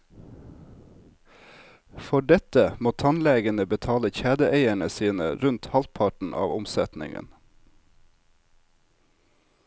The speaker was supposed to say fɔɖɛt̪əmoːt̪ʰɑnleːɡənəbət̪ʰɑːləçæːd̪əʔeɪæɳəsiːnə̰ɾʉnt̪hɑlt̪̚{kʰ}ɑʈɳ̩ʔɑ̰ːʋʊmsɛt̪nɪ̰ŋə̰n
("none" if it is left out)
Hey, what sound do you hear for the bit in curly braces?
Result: pʰ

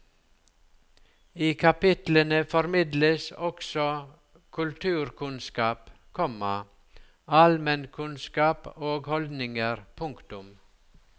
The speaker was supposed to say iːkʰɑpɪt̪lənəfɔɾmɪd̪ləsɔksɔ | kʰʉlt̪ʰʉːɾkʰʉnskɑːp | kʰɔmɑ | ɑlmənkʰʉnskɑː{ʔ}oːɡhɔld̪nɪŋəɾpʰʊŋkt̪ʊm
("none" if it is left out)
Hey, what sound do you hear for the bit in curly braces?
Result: p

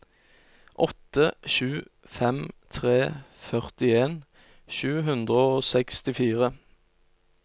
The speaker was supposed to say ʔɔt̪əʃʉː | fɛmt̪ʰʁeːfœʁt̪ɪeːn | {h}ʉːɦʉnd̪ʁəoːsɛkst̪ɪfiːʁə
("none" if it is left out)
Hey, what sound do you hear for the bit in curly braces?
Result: ʃ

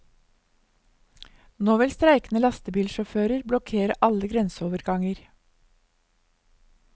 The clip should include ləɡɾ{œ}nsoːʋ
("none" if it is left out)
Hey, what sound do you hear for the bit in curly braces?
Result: ɛ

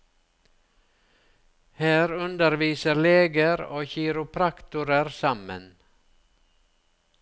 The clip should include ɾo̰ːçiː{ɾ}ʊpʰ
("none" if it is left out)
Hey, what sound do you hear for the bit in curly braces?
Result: ɾ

